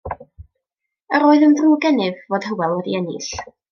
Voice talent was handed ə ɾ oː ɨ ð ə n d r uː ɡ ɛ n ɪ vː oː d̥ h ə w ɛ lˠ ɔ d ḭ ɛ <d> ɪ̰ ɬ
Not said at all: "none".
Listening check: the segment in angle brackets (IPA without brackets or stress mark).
n